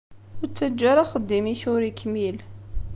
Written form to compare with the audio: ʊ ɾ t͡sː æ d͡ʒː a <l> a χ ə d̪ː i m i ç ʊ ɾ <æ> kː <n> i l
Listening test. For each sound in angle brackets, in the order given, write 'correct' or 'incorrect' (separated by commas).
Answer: incorrect, incorrect, incorrect